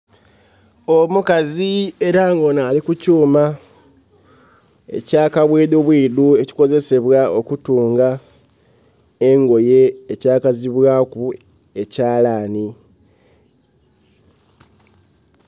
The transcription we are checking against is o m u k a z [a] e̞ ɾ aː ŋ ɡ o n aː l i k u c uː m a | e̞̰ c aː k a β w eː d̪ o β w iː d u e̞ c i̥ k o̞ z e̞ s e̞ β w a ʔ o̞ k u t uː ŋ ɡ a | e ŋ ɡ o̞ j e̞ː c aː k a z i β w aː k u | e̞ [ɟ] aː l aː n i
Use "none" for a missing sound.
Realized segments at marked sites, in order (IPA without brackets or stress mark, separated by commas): i, c